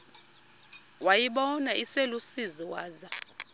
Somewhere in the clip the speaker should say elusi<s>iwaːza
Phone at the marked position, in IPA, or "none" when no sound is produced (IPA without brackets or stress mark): z